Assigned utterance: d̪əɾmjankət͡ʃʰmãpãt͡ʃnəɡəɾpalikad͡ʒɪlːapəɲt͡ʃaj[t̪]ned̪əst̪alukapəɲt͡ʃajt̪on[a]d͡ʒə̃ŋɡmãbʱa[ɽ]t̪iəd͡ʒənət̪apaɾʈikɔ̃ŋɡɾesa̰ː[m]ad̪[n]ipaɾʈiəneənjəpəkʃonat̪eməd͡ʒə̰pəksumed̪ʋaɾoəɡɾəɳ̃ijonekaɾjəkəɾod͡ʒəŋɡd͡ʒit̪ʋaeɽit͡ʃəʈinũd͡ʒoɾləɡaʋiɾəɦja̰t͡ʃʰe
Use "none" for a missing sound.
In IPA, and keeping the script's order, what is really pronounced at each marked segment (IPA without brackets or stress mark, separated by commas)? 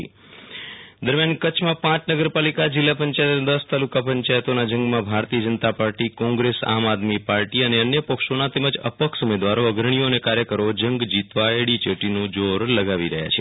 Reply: t̪, a, ɾ, m, m